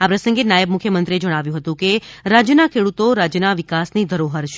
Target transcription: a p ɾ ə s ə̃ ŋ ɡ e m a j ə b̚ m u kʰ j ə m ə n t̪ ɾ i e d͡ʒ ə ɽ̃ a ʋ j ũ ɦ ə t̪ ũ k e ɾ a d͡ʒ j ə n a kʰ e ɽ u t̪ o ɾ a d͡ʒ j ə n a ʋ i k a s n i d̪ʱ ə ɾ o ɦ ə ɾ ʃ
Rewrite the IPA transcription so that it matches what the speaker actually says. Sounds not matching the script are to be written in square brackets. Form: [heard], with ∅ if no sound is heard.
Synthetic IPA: a p ɾ ə s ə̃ ŋ ɡ e [n] a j ə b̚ m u kʰ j ə m ə n t̪ ɾ i e d͡ʒ ə ɽ̃ a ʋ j ũ ɦ ə t̪ ũ k e ɾ a d͡ʒ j ə n a kʰ e ɽ u t̪ o ɾ a d͡ʒ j ə n a ʋ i k a s n i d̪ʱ ə ɾ o ɦ ə ɾ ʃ